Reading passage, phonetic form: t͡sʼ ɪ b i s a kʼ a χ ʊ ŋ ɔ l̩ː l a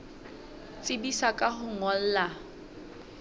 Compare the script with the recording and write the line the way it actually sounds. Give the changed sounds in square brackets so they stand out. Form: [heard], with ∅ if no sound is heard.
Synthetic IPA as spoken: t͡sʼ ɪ b i s a kʼ a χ ʊ ŋ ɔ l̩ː l a

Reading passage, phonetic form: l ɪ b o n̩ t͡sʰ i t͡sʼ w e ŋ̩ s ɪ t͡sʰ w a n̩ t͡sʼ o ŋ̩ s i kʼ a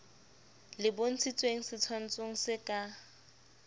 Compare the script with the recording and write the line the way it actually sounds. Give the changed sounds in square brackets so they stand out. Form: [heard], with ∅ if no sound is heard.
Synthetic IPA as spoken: l ɪ b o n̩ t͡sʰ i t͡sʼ w e ŋ̩ s ɪ t͡sʰ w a n̩ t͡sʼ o ŋ̩ s [ɪ] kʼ a

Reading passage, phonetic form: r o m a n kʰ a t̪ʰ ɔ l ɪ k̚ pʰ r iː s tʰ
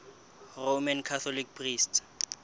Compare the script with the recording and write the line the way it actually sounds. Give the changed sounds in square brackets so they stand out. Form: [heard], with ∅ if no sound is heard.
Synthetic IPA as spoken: r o m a n kʰ a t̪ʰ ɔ l [i] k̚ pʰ r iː s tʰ

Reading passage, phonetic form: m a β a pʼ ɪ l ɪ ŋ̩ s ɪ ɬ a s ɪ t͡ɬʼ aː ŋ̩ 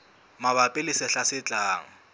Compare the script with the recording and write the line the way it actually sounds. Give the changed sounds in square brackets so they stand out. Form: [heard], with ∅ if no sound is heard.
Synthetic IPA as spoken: m a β a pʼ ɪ l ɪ [∅] s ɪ ɬ a s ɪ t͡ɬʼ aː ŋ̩

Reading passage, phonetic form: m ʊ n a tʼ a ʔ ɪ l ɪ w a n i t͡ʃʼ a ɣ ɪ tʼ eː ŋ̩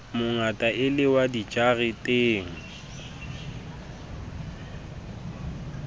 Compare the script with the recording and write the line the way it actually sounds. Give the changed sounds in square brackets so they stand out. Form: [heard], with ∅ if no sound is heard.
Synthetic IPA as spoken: m ʊ [ŋ] a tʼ a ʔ ɪ l ɪ w a [d] i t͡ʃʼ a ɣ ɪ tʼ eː ŋ̩

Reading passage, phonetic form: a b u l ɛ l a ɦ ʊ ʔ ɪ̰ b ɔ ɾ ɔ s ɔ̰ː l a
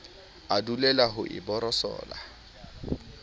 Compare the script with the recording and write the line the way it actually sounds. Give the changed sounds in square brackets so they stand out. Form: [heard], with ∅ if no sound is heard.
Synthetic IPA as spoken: a [d] u l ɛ l a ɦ ʊ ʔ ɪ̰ b ɔ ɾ ɔ s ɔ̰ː l a

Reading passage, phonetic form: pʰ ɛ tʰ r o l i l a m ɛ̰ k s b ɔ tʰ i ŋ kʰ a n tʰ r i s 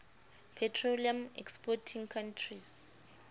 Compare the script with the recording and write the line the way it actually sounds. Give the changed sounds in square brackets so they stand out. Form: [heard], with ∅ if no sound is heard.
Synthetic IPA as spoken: pʰ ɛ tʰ r o l i [∅] a m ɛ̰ k s [p] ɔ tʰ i ŋ kʰ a n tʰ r i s

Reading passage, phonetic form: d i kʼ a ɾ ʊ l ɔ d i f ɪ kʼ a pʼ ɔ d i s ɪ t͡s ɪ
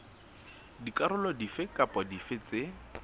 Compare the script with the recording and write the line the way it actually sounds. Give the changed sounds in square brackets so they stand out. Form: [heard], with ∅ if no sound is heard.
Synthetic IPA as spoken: d i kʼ a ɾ ʊ l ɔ d i f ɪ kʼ a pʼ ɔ d i [f] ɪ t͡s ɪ

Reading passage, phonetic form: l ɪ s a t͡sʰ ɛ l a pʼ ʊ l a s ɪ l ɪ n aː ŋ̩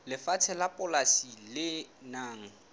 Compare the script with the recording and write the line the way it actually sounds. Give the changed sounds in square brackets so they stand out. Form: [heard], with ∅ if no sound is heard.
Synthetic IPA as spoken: l ɪ [f] a t͡sʰ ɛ l a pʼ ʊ l a s [i] l ɪ n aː ŋ̩

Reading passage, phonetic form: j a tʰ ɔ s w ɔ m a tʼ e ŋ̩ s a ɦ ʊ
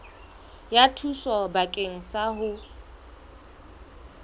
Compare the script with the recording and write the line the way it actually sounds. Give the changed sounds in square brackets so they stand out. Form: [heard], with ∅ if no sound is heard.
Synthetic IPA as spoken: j a tʰ [u] s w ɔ [b] a [kʼ] e ŋ̩ s a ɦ ʊ

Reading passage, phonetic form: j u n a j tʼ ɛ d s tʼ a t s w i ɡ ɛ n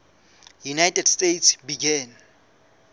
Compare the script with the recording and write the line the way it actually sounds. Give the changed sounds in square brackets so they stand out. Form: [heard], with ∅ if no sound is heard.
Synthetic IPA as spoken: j u n a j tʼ ɛ d s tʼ [e] t s [b] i ɡ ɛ n

